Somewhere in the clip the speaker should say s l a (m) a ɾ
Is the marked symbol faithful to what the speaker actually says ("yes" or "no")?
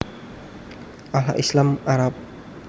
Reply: yes